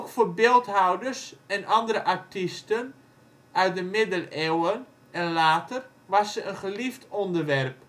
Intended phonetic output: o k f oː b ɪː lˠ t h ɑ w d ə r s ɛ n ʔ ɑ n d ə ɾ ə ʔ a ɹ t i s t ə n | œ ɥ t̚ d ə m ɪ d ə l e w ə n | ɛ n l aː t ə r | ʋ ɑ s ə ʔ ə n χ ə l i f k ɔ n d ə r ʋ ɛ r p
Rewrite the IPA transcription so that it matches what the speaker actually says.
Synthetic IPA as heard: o k f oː b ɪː lˠ t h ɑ w d ə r s ɛ n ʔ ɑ n d ə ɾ ə ʔ a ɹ t i s t ə n | œ ɥ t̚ d ə m ɪ d ə l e w ə n | ɛ n l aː t ə r | ʋ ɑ s ə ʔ ə n χ ə l i f t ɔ n d ə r ʋ ɛ r p